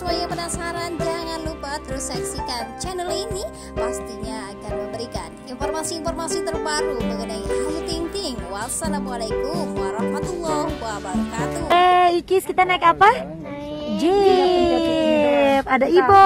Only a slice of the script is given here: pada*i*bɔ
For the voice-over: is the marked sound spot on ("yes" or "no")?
yes